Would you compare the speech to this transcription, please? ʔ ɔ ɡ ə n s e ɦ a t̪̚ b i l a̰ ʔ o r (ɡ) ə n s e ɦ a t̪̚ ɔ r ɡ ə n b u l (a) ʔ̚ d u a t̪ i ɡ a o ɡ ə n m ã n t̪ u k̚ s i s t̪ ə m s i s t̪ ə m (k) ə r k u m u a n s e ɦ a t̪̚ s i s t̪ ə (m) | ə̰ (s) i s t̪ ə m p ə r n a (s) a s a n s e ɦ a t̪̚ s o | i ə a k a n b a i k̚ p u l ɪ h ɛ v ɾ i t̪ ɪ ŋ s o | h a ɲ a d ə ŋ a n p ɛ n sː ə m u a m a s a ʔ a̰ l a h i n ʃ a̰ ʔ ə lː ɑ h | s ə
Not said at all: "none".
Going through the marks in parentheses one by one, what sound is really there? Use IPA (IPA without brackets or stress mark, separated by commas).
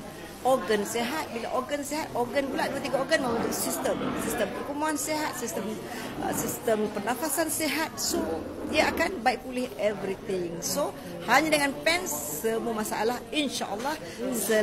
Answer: ɡ, a, p, m, s, f